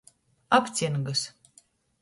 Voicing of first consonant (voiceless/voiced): voiceless